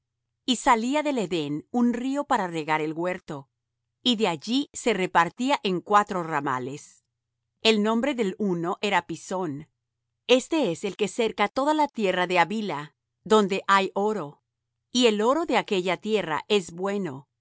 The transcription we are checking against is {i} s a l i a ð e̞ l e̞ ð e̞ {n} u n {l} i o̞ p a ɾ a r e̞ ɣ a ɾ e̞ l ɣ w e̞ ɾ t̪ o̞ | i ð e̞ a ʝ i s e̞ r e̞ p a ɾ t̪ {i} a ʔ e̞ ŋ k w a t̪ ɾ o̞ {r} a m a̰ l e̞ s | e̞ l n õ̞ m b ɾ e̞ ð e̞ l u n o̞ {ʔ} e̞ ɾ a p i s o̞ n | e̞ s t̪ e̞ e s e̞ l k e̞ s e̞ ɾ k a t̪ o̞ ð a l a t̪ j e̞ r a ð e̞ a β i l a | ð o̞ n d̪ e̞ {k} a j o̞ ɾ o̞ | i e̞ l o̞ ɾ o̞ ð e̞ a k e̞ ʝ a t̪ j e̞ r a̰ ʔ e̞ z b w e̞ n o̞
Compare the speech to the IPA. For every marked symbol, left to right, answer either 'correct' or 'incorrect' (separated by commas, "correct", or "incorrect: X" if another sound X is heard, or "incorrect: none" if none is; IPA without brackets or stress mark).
correct, correct, incorrect: r, correct, correct, correct, incorrect: ʔ